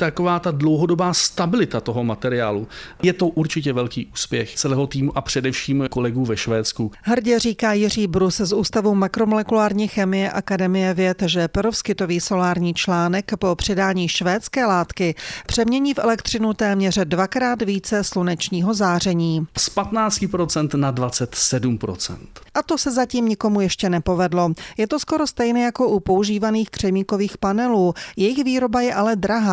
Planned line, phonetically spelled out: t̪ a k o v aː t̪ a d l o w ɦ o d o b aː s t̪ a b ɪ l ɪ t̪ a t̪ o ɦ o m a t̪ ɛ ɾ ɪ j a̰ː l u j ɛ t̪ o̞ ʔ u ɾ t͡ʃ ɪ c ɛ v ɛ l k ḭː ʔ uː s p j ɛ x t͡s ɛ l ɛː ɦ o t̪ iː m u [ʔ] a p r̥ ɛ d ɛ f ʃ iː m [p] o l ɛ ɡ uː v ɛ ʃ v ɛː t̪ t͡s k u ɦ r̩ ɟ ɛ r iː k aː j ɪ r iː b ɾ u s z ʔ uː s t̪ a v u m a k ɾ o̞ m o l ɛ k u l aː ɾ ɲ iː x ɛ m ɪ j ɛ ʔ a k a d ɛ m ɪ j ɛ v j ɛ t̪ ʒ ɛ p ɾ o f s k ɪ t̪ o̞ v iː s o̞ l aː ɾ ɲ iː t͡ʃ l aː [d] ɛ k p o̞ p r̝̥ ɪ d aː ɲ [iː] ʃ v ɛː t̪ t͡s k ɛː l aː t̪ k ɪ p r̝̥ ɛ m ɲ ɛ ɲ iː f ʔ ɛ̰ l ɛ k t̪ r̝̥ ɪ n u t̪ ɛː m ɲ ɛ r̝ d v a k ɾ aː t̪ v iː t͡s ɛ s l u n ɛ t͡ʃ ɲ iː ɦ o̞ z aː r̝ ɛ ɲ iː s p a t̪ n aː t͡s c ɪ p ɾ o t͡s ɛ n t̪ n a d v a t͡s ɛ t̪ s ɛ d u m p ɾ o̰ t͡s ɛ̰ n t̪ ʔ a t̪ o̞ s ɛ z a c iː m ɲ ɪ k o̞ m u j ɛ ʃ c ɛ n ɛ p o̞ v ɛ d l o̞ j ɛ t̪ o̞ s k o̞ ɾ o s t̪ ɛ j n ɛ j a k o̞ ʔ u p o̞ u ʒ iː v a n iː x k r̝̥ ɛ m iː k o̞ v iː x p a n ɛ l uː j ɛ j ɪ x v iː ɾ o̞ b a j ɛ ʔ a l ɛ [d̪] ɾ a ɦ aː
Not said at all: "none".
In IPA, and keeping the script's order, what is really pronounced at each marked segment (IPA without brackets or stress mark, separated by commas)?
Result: ʔ, k, n, iː, d̪